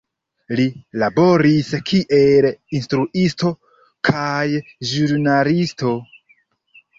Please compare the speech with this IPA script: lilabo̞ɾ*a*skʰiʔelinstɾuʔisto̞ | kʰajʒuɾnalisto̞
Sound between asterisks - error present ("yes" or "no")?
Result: yes